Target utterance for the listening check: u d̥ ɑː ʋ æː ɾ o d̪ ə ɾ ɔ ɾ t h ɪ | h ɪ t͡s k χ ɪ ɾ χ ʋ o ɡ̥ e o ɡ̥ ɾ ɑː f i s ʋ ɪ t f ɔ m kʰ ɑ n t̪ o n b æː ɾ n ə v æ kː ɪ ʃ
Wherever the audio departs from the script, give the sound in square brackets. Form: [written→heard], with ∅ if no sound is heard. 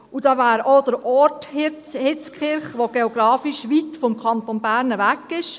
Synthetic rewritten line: u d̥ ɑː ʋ æː ɾ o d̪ ə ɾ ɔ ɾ t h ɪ | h ɪ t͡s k χ ɪ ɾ χ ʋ o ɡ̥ e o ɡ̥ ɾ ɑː f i [s→ʃ] ʋ [ɪ→i] t f ɔ m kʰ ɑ n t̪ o n b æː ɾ n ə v æ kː ɪ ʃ